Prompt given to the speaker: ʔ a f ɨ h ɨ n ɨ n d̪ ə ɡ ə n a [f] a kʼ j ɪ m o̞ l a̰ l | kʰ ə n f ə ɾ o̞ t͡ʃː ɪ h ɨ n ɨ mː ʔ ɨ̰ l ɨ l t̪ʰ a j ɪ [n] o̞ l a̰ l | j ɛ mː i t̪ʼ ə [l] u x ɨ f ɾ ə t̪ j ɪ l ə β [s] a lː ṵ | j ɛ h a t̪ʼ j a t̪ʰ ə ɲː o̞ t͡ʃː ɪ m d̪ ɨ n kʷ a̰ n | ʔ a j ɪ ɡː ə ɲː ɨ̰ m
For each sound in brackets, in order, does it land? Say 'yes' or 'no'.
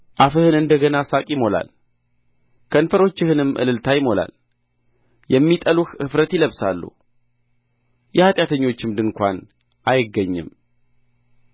no, no, yes, yes

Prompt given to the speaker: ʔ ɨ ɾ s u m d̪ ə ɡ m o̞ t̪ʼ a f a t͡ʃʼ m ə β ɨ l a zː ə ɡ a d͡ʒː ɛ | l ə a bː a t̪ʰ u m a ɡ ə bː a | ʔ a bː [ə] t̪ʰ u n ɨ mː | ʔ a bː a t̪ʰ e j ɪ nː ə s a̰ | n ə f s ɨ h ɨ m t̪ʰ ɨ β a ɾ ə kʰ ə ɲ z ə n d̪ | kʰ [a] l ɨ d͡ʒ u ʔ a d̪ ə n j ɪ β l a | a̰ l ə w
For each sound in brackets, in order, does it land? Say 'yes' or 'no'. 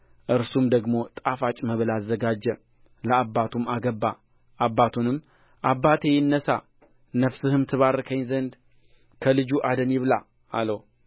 no, no

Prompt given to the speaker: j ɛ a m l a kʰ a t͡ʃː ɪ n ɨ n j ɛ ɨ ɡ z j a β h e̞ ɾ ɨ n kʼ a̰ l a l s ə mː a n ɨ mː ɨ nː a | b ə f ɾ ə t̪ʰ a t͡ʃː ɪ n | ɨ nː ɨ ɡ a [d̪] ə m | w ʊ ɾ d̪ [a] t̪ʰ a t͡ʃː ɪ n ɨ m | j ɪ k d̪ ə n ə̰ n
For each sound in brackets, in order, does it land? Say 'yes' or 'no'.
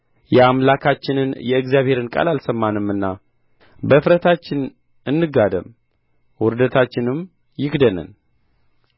yes, no

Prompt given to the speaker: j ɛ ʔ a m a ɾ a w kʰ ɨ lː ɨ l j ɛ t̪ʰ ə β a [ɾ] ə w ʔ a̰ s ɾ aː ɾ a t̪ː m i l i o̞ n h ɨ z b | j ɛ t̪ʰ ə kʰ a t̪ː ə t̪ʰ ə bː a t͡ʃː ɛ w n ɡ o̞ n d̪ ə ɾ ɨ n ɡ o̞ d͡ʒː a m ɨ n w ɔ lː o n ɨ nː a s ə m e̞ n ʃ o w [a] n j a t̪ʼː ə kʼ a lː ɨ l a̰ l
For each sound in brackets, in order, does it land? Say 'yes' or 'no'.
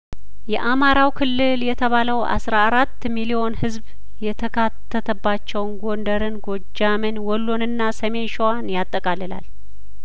no, yes

